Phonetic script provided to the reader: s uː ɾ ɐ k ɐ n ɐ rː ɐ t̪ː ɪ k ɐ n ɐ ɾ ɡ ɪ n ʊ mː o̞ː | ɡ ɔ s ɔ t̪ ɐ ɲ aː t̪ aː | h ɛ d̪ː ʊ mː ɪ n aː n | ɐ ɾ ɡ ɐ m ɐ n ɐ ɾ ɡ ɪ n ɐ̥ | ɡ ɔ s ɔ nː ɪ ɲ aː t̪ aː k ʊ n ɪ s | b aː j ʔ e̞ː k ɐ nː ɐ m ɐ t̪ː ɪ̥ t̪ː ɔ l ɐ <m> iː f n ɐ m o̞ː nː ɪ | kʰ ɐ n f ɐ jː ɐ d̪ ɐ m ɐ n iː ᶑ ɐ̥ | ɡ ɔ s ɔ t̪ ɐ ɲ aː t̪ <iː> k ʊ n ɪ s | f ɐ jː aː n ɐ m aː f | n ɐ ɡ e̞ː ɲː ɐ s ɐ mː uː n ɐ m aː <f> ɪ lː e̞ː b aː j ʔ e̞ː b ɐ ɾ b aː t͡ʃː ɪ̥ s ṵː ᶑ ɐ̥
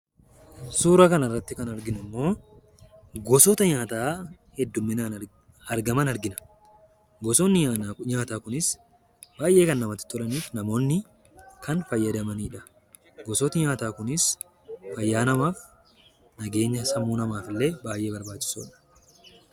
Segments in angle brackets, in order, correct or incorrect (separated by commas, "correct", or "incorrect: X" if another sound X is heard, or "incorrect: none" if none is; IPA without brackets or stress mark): incorrect: n, incorrect: aː, correct